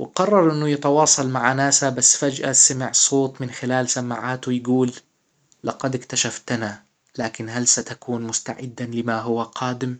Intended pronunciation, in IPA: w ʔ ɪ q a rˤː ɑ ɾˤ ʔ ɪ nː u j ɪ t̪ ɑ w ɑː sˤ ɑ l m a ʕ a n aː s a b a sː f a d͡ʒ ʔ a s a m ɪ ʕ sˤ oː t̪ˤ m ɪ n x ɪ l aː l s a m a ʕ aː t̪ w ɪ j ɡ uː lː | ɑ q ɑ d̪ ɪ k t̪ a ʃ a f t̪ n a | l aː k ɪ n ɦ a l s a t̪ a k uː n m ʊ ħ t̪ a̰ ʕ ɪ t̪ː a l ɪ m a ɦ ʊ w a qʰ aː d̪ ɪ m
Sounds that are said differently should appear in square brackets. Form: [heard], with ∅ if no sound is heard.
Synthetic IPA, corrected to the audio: w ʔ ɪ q [ɑ] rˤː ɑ ɾˤ ʔ ɪ nː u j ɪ t̪ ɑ w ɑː sˤ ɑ l m a ʕ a n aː s a b a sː f a d͡ʒ ʔ a s a m ɪ ʕ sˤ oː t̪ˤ m ɪ n x ɪ l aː l s a m a ʕ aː t̪ w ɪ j ɡ uː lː | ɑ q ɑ d̪ ɪ k t̪ a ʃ a f t̪ n a | l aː k ɪ n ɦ a l s a t̪ a k uː n m ʊ [s] t̪ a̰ ʕ ɪ [d̪ː] a l ɪ m a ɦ ʊ w a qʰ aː d̪ ɪ m

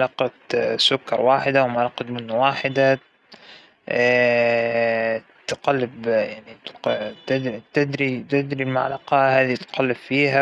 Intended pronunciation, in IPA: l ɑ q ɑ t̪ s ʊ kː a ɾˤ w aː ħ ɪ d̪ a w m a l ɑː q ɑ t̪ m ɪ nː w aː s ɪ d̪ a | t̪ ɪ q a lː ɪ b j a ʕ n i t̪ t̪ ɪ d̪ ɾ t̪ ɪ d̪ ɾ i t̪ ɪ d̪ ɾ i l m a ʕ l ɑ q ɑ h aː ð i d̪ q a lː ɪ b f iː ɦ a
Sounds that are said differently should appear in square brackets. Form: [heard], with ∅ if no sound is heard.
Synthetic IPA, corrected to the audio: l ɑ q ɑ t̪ s ʊ kː [ɑ] ɾˤ w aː ħ ɪ d̪ a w m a l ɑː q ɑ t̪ m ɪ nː w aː [ħ] ɪ d̪ a | t̪ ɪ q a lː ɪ b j a ʕ n i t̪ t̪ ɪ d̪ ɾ t̪ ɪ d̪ ɾ i t̪ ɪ d̪ ɾ i l m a ʕ l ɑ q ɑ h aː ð i [t̪] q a lː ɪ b f iː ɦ a

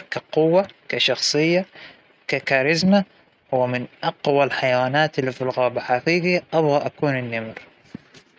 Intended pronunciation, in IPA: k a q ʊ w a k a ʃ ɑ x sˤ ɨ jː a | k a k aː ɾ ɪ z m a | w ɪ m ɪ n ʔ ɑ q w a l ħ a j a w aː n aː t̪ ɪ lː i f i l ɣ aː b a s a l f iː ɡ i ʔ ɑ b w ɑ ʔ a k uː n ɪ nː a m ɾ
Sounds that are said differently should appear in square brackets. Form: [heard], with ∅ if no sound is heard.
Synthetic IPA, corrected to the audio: k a q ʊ [wː] a k a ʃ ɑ x sˤ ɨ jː a | k a k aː ɾ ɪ z m a | w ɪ m ɪ n ʔ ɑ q w a l ħ a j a w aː n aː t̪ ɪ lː i f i l ɣ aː b a [ħ] a [∅] f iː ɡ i ʔ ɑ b [ɣ] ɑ ʔ a k uː n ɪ nː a m ɾ

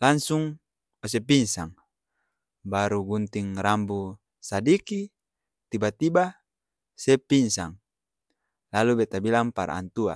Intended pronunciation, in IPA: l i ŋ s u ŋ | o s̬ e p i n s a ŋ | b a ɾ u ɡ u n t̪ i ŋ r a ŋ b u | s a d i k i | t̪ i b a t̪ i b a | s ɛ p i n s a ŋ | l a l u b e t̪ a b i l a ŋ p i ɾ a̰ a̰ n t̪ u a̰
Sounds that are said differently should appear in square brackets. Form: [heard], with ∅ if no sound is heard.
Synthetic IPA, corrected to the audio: l [a] ŋ s u ŋ | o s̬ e p i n s a ŋ | b a ɾ u ɡ u n t̪ i ŋ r a [m] b u | s a d i k i | t̪ i b a t̪ i b a | s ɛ p i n s a ŋ | l a l u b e t̪ a b i l a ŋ p [a] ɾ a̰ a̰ n t̪ u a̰

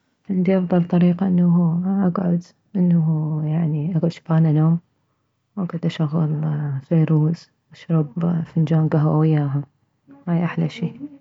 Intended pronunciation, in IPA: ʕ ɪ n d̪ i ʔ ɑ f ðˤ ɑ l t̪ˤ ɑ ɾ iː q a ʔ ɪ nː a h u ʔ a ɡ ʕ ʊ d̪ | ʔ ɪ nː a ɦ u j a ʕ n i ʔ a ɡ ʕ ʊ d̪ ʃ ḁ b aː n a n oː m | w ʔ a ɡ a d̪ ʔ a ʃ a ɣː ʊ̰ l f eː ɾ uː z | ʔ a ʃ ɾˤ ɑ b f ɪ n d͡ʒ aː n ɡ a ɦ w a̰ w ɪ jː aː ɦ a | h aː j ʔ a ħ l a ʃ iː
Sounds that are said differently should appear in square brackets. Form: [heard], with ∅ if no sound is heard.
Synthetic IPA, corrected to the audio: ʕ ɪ n d̪ i ʔ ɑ f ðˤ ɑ l t̪ˤ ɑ ɾ iː q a ʔ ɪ nː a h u ʔ a ɡ ʕ ʊ d̪ | ʔ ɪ nː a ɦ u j a ʕ n i ʔ a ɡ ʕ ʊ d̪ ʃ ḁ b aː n a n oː m | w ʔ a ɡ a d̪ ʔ a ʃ a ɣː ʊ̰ l f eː ɾ uː z | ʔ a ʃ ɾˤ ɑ b f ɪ n d͡ʒ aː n ɡ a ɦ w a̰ w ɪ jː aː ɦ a | h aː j ʔ a ħ l a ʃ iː

